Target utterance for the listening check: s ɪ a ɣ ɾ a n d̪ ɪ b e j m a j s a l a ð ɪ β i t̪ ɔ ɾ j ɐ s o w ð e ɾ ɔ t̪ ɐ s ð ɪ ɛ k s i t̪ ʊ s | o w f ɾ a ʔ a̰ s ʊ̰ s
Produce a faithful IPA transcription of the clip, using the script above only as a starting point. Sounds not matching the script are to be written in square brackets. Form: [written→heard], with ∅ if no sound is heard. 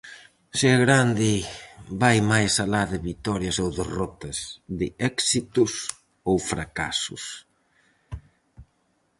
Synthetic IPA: s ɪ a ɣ ɾ a n d̪ ɪ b [e→a] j m a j s a l a ð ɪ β i t̪ ɔ ɾ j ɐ s o w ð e [ɾ→r] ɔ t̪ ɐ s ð ɪ ɛ k s i t̪ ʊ s | o w f ɾ a [ʔ→k] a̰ s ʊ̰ s